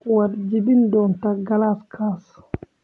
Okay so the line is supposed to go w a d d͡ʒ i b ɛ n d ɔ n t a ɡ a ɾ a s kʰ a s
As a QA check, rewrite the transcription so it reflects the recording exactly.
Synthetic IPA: w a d d͡ʒ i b i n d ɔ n t a ɡ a l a s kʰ a s